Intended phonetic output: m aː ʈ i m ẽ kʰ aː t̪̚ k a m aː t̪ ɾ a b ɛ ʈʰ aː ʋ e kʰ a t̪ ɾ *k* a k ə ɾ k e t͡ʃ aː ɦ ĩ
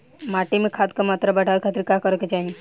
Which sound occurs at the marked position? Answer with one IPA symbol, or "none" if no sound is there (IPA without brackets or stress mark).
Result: k